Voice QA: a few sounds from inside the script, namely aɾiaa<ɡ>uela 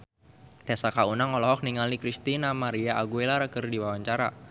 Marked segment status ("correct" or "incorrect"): correct